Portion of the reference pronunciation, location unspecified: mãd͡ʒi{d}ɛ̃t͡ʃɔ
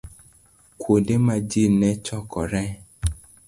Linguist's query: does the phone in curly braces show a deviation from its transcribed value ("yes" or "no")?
yes